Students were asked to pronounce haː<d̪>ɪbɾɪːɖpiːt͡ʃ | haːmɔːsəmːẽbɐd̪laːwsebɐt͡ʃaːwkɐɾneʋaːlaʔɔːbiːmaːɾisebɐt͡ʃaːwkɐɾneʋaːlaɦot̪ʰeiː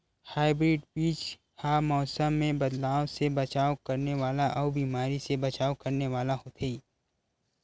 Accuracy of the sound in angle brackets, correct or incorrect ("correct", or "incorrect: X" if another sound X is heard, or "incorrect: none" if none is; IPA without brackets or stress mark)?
incorrect: none